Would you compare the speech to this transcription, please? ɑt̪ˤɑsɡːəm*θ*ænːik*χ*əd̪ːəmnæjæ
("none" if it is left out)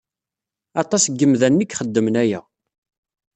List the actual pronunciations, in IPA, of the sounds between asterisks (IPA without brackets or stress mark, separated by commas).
ð, χ